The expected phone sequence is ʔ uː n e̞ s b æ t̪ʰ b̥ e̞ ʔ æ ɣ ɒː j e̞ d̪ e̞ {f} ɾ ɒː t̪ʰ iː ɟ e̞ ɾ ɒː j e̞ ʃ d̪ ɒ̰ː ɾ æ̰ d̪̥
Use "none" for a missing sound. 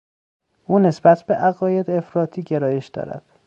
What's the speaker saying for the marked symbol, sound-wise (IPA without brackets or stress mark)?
f